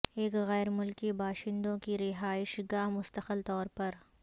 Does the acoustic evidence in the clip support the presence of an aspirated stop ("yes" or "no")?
no